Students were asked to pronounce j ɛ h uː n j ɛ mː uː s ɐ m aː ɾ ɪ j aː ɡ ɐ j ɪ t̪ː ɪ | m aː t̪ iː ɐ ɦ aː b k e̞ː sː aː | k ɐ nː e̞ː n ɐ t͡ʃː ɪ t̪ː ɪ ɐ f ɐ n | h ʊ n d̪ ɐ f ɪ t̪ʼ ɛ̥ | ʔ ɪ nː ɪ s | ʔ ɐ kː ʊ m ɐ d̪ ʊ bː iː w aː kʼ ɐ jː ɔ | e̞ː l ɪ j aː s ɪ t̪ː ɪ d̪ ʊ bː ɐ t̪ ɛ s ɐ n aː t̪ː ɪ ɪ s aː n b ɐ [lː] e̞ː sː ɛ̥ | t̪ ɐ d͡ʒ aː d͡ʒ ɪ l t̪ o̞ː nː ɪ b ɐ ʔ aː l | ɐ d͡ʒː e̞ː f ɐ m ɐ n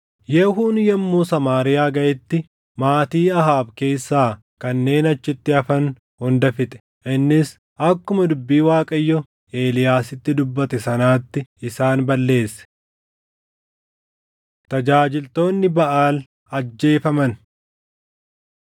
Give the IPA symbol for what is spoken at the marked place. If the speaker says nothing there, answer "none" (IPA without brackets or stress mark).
lː